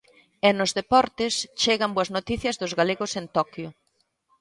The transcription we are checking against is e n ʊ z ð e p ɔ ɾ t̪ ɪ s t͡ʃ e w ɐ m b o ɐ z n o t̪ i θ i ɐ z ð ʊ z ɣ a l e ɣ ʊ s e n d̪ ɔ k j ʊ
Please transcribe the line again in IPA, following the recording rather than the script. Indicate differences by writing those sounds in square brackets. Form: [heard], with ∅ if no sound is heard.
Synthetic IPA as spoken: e n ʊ z ð e p ɔ ɾ t̪ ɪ s t͡ʃ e [ɣ] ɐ m b o ɐ z n o t̪ i θ [j] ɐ z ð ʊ z ɣ a l e ɣ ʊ s e n [t̪] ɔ k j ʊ